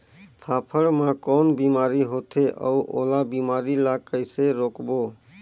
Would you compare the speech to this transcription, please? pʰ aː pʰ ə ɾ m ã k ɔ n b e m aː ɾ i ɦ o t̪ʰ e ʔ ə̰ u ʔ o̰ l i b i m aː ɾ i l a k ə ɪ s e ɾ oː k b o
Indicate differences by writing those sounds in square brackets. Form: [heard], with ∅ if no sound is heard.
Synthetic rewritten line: pʰ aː pʰ ə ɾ m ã k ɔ n b [i] m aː ɾ i ɦ o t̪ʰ e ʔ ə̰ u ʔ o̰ l [a] b i m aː ɾ i l a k ə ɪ s e ɾ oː k b o